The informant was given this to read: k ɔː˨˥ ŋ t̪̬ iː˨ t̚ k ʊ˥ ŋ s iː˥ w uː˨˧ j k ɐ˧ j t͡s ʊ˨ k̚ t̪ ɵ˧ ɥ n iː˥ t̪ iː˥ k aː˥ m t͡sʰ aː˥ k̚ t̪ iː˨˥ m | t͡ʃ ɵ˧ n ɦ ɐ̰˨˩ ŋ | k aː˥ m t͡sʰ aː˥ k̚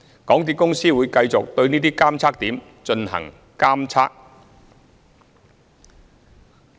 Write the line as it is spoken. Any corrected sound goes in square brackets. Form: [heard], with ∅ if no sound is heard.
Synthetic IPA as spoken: k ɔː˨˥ ŋ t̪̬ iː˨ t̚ k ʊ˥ ŋ s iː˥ w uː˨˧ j k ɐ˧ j t͡s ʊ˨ k̚ t̪ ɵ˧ ɥ n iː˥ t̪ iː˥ k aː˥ m t͡sʰ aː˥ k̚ t̪ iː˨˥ m | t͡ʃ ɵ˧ n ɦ ɐ̰˨˩ ŋ | k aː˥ m t͡sʰ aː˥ k̚